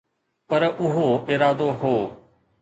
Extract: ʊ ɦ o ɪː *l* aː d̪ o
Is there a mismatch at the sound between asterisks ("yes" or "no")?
yes